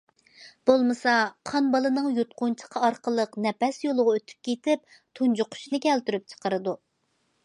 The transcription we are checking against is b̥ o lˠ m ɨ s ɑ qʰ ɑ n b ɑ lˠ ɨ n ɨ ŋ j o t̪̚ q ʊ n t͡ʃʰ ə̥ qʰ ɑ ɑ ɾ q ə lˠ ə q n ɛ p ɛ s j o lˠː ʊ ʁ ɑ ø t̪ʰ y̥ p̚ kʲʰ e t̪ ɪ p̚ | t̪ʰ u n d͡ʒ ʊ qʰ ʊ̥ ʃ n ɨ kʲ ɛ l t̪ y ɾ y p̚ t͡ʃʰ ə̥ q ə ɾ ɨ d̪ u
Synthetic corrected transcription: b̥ o lˠ m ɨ s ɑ qʰ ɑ n b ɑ lˠ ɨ n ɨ ŋ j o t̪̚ q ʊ n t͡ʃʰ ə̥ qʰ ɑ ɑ ɾ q ə lˠ ə q n ɛ p ɛ s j o lˠ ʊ ʁ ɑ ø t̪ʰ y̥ p̚ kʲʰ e t̪ ɪ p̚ | t̪ʰ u n d͡ʒ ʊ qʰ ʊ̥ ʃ n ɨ kʲ ɛ l t̪ y ɾ y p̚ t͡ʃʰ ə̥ q ə ɾ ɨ d̪ u